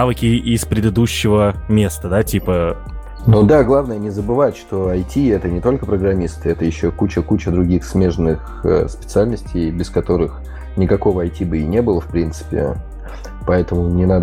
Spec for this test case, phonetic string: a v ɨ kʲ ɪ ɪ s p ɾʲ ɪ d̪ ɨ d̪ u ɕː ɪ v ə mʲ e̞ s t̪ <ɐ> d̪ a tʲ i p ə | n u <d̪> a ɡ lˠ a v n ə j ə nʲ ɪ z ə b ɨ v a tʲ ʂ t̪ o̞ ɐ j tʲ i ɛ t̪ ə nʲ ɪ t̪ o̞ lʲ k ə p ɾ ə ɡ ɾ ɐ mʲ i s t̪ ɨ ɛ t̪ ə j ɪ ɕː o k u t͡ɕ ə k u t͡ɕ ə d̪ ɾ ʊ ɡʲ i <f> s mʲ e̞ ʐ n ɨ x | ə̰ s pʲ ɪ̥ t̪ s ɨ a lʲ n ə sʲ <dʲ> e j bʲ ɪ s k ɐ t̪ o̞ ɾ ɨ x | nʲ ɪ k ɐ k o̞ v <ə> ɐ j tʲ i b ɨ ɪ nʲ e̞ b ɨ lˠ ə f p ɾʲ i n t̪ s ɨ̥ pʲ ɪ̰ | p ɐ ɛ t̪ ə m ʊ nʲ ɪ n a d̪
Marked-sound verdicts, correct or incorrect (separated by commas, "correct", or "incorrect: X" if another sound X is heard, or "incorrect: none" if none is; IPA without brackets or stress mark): incorrect: ə, correct, incorrect: x, incorrect: tʲ, correct